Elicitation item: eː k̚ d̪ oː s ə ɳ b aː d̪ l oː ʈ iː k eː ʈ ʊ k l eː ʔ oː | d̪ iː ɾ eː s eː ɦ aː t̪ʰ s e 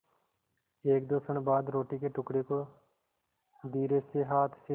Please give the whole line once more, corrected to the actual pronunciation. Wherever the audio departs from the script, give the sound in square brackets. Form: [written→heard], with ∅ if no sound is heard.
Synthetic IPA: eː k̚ d̪ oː s ə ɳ b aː d̪ [l→ɾ] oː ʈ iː k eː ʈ ʊ k [l→ɽ] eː [ʔ→k] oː | d̪ iː ɾ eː s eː ɦ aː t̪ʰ s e